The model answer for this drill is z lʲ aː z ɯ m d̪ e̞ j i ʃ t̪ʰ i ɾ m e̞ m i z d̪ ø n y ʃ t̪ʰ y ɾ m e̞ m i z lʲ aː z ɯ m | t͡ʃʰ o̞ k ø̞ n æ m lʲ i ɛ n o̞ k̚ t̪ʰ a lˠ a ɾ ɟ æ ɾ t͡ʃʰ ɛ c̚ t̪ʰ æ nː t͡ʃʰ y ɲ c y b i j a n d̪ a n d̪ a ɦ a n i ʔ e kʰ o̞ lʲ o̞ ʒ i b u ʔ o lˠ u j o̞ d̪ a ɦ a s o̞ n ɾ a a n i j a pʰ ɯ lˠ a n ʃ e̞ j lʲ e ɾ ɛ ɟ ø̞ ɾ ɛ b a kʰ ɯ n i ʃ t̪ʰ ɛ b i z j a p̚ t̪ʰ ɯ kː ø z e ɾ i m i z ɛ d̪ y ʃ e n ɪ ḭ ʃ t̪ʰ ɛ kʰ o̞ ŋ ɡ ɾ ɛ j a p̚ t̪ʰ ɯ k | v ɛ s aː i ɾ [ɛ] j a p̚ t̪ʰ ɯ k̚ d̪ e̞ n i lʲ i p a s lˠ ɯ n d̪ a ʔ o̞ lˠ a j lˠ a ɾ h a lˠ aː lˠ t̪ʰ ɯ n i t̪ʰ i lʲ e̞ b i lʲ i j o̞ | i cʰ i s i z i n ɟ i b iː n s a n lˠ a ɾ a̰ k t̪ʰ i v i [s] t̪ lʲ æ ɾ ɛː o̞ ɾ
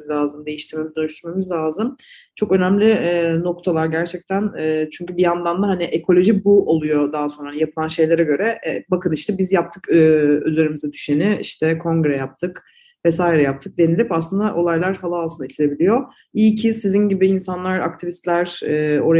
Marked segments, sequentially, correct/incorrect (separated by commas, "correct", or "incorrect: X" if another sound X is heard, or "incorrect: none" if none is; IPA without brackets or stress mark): correct, correct